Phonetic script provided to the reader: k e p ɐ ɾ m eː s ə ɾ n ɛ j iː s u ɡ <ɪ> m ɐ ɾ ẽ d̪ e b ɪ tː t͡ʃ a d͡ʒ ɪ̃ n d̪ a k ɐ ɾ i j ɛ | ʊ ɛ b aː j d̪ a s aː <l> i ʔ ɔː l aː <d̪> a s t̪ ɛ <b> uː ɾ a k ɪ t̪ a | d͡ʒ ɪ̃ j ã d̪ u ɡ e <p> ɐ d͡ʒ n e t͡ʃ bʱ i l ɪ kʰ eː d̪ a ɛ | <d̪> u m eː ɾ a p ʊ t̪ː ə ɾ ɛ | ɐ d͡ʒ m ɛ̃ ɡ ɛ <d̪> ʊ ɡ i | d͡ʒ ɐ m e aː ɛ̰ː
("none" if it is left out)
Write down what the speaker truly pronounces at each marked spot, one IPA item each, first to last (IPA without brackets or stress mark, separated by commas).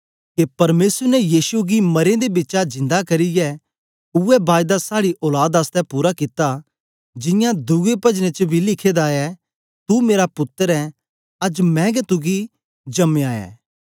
i, ɽ, d̪, p, p, t̪, t̪